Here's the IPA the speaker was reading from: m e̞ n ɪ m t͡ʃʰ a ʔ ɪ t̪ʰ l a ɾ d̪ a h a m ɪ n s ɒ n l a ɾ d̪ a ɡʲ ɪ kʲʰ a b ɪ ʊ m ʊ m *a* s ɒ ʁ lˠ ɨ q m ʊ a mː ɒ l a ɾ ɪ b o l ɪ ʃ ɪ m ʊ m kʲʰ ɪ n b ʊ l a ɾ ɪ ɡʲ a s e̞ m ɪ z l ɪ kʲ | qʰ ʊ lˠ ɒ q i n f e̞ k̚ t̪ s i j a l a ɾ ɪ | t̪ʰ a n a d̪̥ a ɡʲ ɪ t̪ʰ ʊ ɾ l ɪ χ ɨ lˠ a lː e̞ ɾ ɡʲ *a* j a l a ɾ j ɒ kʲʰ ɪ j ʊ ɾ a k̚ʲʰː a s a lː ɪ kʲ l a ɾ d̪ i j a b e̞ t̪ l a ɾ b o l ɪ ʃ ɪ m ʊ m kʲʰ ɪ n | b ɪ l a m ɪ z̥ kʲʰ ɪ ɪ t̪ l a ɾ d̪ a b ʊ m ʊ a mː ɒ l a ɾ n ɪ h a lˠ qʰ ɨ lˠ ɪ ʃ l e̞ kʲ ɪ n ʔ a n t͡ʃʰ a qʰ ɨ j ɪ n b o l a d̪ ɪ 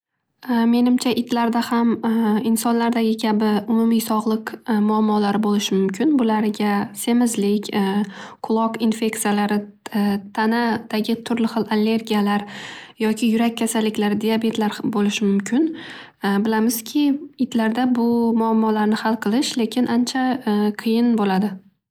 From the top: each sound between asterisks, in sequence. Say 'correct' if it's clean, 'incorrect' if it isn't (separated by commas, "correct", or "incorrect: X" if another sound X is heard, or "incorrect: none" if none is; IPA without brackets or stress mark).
incorrect: i, incorrect: i